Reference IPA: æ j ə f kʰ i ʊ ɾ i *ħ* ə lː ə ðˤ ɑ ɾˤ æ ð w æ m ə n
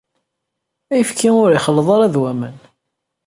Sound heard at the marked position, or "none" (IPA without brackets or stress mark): χ